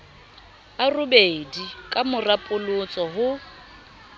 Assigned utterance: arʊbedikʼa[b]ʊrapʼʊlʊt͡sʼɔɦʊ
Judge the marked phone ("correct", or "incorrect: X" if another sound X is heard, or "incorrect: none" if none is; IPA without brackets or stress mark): incorrect: m